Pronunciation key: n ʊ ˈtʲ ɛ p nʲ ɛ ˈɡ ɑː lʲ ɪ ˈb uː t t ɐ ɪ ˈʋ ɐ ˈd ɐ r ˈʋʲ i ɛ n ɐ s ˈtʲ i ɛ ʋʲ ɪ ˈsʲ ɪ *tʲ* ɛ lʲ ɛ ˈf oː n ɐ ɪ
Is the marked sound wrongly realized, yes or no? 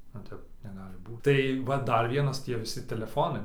no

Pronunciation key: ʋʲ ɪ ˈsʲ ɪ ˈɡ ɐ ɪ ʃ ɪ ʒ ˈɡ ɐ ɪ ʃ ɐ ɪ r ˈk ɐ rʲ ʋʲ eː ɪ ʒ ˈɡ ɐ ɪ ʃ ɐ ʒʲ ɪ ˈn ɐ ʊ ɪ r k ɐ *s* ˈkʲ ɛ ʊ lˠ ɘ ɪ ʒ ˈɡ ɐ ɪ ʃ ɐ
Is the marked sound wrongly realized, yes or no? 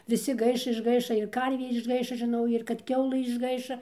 yes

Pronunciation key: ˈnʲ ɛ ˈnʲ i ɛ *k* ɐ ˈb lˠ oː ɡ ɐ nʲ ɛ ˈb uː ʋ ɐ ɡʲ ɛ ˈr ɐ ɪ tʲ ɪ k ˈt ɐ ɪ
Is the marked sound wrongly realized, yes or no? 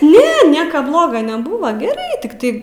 no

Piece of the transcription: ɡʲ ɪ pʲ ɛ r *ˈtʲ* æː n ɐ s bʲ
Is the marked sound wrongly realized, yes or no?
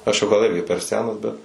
yes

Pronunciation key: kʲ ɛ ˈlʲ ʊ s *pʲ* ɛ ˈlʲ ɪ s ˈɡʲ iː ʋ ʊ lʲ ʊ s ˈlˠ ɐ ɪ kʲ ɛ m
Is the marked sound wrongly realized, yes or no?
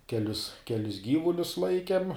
yes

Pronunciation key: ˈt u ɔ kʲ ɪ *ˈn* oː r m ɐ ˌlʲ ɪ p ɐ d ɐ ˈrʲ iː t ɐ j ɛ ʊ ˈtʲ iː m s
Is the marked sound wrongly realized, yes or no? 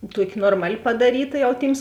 no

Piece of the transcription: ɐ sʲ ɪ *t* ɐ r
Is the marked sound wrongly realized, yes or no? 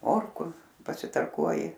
no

